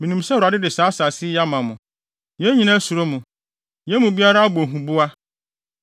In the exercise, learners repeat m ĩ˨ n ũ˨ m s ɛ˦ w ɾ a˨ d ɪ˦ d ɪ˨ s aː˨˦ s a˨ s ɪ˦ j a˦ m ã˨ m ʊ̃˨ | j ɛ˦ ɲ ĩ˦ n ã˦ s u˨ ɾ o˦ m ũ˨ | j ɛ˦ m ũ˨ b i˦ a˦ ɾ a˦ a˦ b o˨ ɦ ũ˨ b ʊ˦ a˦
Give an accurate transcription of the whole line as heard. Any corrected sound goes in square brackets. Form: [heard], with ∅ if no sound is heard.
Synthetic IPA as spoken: m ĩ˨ n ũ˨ m s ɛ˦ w ɾ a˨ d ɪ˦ d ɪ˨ s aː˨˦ s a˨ s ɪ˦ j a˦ m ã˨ m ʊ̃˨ | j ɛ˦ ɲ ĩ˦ n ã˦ s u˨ ɾ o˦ m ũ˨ | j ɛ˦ m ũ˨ b i˦ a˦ ɾ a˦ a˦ b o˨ ɦ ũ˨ b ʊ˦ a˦